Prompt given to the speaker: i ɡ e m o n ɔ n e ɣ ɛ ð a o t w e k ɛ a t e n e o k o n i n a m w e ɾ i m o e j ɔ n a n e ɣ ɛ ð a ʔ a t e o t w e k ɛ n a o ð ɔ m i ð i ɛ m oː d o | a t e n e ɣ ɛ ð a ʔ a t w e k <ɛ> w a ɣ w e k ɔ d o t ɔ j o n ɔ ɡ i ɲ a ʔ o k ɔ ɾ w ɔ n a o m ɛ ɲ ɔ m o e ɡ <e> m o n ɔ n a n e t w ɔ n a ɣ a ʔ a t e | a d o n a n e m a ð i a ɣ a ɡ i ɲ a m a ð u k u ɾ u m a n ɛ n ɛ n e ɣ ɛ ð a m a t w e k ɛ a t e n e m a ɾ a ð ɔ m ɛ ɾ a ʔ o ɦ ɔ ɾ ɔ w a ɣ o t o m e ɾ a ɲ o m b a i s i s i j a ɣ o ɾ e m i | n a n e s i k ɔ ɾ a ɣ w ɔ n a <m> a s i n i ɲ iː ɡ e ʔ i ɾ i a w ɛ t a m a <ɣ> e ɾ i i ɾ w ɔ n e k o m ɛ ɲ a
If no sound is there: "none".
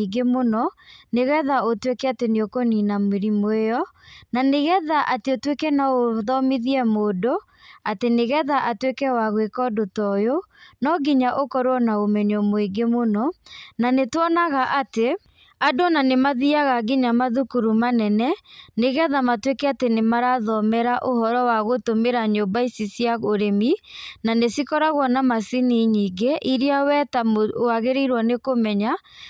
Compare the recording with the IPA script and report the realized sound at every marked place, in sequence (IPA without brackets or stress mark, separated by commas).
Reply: ɛ, e, m, ɣ